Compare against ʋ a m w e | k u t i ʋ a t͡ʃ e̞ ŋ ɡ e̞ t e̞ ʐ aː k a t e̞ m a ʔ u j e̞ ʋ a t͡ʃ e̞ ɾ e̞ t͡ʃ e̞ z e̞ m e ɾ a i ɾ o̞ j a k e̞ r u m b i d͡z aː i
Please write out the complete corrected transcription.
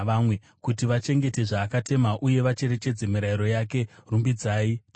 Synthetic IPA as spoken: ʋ a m w e | k u t i ʋ a t͡ʃ e̞ ŋ ɡ e̞ t e̞ ʐ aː k a t e̞ m a ʔ u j e̞ ʋ a t͡ʃ e̞ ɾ e̞ t͡ʃ e̞ d͡z e̞ m i ɾ a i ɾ o̞ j a k e̞ r u m b i d͡z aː i